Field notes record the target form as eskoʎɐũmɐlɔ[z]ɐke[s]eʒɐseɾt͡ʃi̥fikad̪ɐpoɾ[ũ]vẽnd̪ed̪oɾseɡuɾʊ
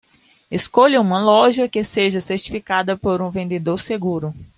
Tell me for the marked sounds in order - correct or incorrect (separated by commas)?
incorrect, correct, correct